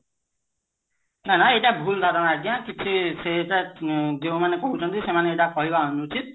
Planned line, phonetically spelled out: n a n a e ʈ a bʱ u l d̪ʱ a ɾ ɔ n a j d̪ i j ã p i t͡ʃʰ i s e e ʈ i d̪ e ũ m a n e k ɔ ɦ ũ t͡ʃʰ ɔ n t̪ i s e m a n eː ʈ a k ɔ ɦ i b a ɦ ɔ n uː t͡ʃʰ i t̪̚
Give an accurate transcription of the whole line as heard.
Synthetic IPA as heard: n a n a e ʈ a bʱ u l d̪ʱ a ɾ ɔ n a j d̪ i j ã k i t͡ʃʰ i s e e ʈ a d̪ e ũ m a n e k ɔ ɦ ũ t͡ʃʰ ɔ n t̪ i s e m a n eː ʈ a k ɔ ɦ i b a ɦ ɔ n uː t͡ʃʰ i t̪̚